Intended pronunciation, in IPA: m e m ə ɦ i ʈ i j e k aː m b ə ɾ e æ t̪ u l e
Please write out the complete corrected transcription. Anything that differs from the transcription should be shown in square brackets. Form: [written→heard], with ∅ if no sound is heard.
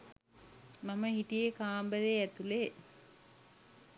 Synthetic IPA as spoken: m [e→a] m ə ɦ i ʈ i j e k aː m b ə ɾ e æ t̪ u l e